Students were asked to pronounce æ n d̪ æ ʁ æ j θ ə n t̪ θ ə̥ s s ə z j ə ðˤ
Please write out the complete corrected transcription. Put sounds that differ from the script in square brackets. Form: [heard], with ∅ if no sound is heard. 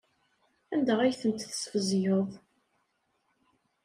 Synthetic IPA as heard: æ n d̪ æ ʁ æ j θ ə n t̪ θ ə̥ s [f] ə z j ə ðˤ